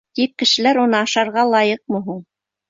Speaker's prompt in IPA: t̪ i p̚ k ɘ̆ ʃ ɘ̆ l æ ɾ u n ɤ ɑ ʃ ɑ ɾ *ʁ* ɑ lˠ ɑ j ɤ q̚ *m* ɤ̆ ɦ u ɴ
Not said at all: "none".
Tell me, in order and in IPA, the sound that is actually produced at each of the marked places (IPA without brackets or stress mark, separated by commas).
ʁ, m